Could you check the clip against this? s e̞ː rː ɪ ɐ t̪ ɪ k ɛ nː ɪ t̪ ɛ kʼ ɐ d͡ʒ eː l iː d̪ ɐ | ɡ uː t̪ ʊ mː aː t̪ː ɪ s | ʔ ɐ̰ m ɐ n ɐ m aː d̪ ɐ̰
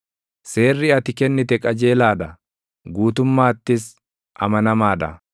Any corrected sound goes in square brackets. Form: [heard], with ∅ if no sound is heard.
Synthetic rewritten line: s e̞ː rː ɪ ɐ t̪ ɪ k ɛ nː ɪ t̪ ɛ kʼ ɐ d͡ʒ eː l [aː] d̪ ɐ | ɡ uː t̪ ʊ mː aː t̪ː ɪ s | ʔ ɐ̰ m ɐ n ɐ m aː d̪ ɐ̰